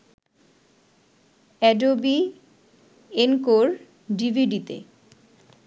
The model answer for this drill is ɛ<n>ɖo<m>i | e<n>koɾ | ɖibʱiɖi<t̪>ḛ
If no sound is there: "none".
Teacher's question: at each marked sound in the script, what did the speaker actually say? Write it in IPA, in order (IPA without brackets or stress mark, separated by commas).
none, b, n, t̪